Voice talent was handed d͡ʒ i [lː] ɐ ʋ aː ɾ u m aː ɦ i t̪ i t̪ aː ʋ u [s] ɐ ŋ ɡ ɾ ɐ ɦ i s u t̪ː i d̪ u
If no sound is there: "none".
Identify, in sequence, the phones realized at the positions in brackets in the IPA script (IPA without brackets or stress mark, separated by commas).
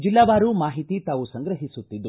lː, s